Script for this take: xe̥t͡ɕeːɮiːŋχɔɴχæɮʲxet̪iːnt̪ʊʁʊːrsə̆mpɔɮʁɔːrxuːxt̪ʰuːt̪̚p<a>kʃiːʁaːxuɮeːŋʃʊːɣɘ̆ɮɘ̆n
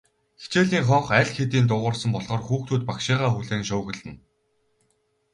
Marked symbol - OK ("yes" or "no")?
yes